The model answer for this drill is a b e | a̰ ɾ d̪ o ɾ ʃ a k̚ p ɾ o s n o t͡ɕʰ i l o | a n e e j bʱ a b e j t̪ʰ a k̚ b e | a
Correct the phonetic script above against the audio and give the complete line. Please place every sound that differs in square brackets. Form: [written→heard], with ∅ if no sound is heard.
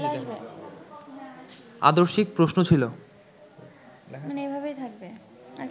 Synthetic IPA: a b e | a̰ [ɾ→∅] d̪ o ɾ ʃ [a→i] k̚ p ɾ o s n o t͡ɕʰ i l o | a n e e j bʱ a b e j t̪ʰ a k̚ b e | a

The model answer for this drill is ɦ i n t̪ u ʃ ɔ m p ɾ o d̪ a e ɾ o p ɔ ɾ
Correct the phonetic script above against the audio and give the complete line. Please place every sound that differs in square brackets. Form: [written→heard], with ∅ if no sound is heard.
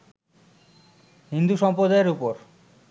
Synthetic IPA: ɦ i n [t̪→d̪] u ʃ ɔ m p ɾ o d̪ a e ɾ [o→u] p [ɔ→o] ɾ

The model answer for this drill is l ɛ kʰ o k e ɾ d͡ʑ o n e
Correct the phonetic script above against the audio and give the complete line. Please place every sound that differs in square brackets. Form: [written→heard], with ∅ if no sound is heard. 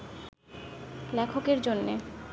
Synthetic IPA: l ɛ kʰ o k e ɾ d͡ʑ o [n→nː] e

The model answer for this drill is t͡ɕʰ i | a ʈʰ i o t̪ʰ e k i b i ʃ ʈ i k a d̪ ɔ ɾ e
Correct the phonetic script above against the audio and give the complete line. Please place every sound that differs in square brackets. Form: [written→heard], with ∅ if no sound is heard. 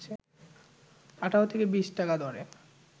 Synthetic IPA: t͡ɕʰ [i→e] | a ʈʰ [i→a] o t̪ʰ e k [i→e] b i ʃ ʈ [i→a] k a d̪ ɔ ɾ e

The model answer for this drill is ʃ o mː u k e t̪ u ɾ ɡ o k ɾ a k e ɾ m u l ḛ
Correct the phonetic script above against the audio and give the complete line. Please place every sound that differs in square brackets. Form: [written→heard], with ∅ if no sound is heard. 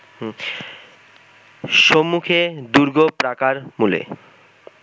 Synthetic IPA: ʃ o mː u [k→kʰ] e [t̪→d̪] u ɾ ɡ o [k→p] ɾ a k [e→a] ɾ m u l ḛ

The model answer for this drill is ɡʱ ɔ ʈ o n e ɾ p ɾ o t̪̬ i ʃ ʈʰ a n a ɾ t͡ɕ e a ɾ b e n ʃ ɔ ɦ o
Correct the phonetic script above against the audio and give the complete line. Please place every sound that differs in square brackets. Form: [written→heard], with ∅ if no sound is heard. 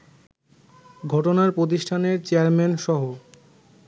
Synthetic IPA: ɡʱ ɔ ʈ o n [e→a] ɾ p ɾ o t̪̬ i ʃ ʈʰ a n [a→e] ɾ t͡ɕ e a ɾ [b→m] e n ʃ ɔ ɦ o

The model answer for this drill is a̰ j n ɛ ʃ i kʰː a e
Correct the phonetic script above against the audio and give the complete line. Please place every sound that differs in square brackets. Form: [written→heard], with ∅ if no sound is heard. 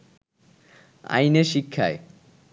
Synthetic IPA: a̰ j n [ɛ→e] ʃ i kʰː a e

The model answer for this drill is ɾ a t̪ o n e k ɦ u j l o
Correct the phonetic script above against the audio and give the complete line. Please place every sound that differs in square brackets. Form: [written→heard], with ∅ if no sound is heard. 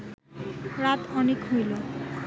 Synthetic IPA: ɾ a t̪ [o→ɔ] n e k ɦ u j l o

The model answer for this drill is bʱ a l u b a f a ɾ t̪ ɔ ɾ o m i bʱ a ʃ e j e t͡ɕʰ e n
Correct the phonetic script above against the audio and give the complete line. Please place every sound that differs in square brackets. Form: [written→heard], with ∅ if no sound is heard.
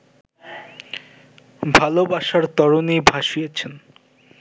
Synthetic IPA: bʱ a l [u→o] b a [f→ʃ] a ɾ t̪ ɔ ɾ o [m→n] i bʱ a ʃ [e→i] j e t͡ɕʰ e n

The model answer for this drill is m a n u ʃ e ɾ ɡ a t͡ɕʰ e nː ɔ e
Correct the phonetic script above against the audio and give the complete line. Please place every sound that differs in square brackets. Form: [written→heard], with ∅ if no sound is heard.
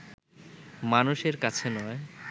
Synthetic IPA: m a n u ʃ e ɾ [ɡ→k] a t͡ɕʰ e [nː→n] ɔ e

